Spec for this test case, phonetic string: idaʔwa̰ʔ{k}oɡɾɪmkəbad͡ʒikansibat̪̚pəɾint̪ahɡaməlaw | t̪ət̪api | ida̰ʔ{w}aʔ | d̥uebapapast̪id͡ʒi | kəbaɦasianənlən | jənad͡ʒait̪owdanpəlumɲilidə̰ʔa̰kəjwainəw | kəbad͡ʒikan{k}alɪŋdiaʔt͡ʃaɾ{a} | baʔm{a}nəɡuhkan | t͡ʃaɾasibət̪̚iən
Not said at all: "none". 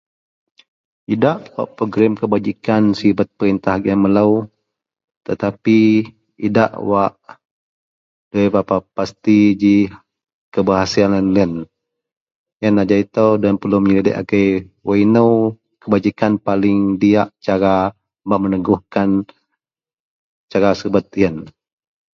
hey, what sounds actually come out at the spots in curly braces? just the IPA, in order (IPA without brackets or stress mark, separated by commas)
p, w, p, a, ə